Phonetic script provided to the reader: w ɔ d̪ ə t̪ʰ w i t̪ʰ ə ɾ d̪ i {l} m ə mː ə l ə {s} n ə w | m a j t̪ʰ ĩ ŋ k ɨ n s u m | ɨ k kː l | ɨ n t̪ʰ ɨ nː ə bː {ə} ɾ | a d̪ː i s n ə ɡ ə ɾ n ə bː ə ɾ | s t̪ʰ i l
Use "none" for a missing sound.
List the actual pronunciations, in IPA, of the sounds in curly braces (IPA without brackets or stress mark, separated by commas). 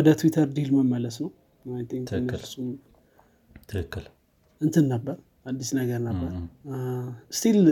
l, s, ə